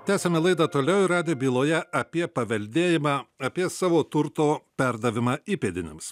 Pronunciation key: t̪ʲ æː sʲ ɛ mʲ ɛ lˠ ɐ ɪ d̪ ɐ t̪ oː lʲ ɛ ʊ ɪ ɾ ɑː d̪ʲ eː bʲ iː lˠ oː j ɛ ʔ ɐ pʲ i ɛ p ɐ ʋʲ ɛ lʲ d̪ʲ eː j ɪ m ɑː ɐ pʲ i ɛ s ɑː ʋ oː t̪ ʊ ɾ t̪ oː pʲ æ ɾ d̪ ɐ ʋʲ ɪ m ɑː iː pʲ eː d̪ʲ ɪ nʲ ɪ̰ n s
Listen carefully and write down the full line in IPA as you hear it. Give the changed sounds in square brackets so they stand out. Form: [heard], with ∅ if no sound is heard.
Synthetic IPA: t̪ʲ æː sʲ ɛ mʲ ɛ lˠ ɐ ɪ d̪ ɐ t̪ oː lʲ ɛ ʊ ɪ ɾ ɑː d̪ʲ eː bʲ iː lˠ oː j ɛ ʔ ɐ pʲ i ɛ p ɐ ʋʲ ɛ lʲ d̪ʲ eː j ɪ m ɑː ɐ pʲ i ɛ s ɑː ʋ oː t̪ ʊ ɾ t̪ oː pʲ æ ɾ d̪ ɐ ʋʲ ɪ m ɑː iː pʲ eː d̪ʲ ɪ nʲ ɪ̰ [m] s